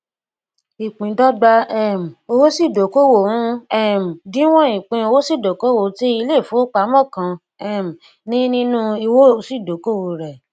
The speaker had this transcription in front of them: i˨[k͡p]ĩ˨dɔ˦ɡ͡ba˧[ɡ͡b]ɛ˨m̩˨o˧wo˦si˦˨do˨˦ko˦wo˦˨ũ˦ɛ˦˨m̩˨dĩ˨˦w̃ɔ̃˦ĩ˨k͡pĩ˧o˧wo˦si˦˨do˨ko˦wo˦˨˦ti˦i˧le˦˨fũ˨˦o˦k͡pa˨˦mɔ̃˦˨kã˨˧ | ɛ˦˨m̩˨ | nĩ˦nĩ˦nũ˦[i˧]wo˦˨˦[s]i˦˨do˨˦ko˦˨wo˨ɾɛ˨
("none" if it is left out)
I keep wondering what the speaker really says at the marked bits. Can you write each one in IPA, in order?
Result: k͡p, none, i˧, s

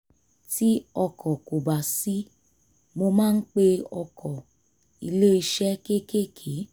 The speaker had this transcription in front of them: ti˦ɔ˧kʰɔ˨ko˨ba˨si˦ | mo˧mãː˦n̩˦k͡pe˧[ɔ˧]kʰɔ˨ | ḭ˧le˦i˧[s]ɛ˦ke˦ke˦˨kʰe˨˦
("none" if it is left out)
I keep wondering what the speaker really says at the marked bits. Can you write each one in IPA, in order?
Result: ɔ˧, ʃ

